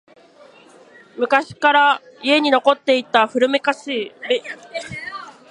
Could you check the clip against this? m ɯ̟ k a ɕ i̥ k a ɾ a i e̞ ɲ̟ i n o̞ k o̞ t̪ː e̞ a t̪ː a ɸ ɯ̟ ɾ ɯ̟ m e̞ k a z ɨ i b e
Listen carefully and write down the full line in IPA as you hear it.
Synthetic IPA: m ɯ̟ k a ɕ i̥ k a ɾ a i e̞ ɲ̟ i n o̞ k o̞ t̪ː e̞ i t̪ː a ɸ ɯ̟ ɾ ɯ̟ m e̞ k a s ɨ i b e